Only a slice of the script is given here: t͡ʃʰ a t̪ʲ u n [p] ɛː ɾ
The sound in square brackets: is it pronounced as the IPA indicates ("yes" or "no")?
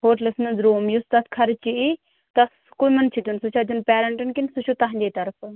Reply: yes